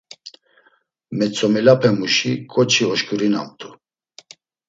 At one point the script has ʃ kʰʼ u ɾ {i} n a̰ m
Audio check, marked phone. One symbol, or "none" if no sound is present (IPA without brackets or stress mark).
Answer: i